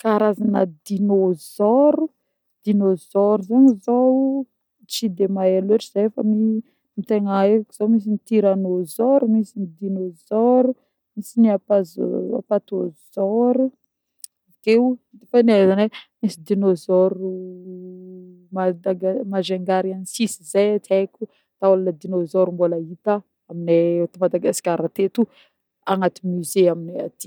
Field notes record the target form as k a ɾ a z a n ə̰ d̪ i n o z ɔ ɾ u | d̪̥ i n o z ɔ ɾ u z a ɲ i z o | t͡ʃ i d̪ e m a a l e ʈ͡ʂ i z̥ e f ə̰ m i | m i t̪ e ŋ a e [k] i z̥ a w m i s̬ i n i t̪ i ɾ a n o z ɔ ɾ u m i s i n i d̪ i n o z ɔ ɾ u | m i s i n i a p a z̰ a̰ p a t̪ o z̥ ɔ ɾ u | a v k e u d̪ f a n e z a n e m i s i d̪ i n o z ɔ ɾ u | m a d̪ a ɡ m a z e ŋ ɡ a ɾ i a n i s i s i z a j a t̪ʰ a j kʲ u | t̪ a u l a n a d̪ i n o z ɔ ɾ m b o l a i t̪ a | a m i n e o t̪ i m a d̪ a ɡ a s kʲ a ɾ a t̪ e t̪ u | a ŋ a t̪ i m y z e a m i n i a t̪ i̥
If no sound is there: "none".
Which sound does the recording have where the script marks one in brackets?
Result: k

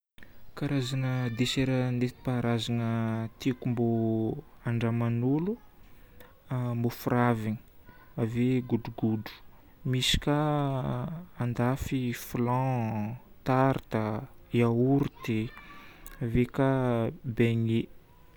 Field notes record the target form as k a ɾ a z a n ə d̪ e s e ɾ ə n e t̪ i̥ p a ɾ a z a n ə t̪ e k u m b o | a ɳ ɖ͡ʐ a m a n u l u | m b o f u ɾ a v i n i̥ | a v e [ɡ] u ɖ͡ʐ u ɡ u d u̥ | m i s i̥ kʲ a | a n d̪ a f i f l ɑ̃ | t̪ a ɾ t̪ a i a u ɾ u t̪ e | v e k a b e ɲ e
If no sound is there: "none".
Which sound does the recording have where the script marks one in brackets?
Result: ɡ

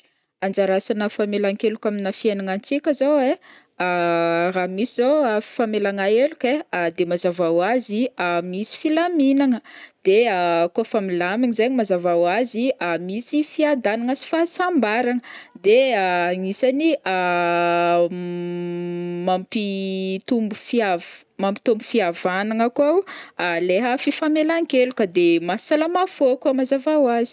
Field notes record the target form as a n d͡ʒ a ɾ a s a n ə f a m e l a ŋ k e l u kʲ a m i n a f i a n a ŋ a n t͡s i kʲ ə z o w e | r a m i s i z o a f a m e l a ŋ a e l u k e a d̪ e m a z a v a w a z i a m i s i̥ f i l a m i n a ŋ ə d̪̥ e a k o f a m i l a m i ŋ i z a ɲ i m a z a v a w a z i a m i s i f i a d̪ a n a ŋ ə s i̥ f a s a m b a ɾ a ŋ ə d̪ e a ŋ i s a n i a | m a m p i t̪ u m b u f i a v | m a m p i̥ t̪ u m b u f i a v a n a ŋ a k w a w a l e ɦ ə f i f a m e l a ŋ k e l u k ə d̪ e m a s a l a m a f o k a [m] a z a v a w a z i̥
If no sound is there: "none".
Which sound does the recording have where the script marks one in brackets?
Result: m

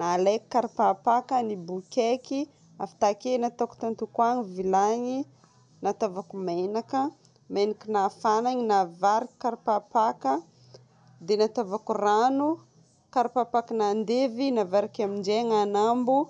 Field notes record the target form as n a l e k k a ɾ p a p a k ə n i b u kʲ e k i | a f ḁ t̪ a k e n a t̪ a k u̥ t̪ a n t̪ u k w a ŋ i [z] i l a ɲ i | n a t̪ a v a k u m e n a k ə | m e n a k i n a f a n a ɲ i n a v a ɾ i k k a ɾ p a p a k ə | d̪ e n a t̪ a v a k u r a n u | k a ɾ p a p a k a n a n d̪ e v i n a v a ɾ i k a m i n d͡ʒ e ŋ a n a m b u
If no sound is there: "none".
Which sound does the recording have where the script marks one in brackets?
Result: v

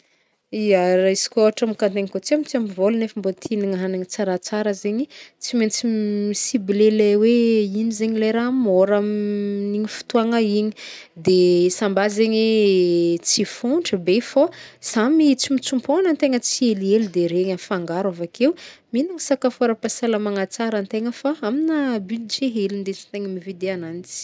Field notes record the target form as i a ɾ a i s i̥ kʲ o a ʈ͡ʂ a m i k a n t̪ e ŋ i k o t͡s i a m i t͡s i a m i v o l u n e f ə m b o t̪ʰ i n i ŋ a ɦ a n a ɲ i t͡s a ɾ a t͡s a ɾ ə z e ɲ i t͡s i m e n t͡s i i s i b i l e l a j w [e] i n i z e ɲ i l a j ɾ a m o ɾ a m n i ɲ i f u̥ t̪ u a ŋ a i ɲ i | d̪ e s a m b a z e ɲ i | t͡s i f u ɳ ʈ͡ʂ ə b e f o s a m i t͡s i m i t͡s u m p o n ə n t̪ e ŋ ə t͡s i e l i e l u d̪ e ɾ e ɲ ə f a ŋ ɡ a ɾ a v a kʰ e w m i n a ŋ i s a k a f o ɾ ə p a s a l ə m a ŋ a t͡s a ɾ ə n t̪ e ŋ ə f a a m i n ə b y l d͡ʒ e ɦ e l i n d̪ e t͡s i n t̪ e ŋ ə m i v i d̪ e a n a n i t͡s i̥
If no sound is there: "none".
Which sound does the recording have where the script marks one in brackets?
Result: e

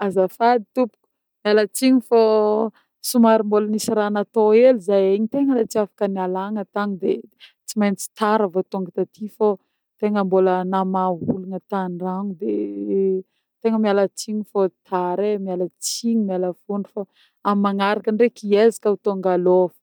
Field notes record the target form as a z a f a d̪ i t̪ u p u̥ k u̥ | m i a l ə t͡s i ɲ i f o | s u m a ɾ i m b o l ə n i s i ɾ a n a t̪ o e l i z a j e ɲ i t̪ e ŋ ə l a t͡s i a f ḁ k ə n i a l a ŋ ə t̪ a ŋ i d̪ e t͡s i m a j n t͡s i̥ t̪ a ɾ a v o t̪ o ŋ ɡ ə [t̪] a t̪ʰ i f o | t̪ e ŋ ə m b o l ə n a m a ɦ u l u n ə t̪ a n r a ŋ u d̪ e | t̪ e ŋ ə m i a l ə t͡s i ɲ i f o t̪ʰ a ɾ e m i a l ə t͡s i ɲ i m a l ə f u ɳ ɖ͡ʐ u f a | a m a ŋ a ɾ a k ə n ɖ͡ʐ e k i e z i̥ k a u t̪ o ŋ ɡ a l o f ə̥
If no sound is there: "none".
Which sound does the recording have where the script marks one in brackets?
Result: t̪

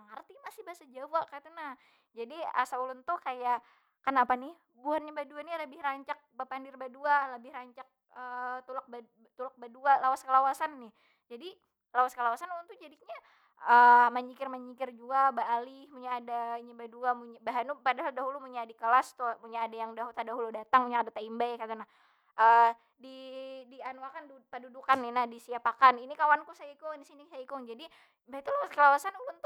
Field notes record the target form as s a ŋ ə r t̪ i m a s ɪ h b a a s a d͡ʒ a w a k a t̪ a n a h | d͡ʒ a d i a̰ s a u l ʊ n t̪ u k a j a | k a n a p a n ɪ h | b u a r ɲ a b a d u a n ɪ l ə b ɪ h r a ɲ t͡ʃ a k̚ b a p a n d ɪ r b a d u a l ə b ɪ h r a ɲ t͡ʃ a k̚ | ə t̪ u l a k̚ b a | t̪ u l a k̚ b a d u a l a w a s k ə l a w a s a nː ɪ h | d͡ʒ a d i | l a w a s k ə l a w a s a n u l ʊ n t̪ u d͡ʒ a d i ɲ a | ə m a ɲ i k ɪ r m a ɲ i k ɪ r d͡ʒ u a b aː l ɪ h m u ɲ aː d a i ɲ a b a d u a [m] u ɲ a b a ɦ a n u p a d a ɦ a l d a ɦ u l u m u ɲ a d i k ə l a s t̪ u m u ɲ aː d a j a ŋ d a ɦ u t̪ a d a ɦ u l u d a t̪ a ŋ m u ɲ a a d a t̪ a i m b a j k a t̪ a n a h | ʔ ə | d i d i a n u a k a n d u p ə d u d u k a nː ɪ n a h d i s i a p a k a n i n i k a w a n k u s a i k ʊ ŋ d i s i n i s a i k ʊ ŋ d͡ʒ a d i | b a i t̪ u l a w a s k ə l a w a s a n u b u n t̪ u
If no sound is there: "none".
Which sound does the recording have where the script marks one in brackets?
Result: m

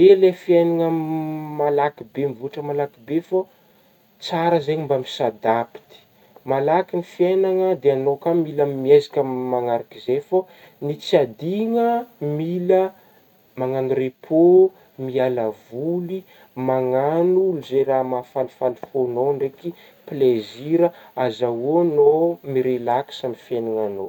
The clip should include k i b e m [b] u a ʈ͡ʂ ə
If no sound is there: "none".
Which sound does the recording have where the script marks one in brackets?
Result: v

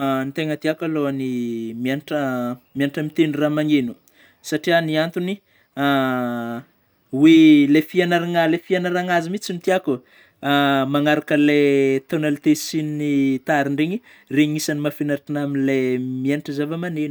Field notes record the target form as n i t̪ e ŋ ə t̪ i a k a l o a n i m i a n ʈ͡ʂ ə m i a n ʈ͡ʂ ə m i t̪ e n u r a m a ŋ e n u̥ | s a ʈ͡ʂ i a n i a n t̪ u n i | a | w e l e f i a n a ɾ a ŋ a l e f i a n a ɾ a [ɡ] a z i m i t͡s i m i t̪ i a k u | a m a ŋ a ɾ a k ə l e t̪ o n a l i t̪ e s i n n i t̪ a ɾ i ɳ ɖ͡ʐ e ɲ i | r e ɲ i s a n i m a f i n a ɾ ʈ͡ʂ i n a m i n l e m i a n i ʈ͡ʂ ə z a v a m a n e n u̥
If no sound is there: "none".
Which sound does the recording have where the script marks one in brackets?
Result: ŋ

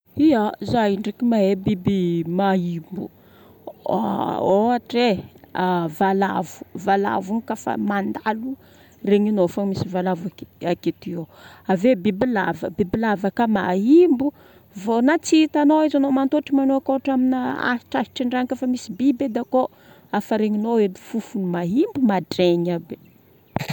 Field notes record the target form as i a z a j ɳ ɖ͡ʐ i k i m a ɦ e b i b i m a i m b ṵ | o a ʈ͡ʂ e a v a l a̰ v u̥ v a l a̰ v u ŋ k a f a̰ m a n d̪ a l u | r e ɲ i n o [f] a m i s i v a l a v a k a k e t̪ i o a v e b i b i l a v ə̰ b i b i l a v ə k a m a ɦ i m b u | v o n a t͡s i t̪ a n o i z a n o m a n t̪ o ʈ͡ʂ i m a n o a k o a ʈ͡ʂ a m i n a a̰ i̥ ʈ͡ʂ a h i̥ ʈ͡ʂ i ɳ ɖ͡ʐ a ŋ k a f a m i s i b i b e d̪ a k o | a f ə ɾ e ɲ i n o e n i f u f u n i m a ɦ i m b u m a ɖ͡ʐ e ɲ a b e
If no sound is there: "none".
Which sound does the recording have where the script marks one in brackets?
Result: f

